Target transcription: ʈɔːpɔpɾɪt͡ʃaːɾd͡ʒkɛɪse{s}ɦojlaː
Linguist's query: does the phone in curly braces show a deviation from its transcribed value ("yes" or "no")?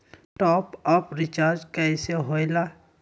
yes